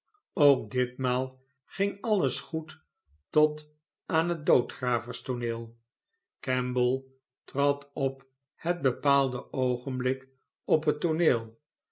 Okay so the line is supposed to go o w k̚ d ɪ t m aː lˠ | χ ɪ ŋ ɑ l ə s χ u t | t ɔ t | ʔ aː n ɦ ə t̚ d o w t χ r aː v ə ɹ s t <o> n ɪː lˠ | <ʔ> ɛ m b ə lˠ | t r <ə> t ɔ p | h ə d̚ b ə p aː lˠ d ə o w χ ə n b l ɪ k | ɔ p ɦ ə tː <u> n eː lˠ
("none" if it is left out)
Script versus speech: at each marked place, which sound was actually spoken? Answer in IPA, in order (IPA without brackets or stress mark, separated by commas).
o, k, ɑ, o